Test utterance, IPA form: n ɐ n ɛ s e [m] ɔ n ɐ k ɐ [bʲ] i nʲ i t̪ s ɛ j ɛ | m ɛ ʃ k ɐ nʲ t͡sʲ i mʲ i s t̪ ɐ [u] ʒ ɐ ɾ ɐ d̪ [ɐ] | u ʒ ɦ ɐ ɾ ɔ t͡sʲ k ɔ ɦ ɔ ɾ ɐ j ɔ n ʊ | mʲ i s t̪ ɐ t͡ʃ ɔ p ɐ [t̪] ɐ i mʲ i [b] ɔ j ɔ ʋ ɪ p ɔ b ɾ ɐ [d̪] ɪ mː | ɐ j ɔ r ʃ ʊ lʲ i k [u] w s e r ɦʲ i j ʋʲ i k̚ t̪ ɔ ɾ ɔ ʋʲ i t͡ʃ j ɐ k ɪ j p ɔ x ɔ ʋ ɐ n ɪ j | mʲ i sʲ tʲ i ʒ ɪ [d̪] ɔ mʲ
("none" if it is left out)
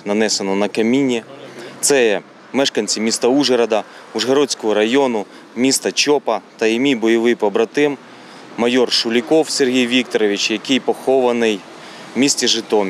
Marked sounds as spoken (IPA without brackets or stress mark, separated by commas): n, mʲ, u, ɐ, t̪, b, t̪, ɔ, t̪